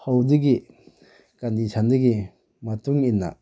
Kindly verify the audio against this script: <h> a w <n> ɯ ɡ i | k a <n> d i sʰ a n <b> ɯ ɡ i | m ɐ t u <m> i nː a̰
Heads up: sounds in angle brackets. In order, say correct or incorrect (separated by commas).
correct, incorrect, correct, incorrect, incorrect